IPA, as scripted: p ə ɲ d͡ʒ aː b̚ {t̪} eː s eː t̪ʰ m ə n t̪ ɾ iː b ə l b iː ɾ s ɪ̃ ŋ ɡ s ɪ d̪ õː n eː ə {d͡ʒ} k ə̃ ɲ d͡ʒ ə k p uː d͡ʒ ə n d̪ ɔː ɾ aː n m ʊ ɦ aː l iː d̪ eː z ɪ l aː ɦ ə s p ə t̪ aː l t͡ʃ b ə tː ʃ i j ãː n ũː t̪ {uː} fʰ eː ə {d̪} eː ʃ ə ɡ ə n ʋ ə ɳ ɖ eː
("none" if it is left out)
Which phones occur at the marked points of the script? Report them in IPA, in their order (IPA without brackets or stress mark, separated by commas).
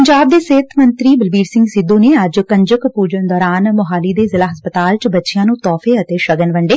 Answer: d̪, d͡ʒ, ɔː, t̪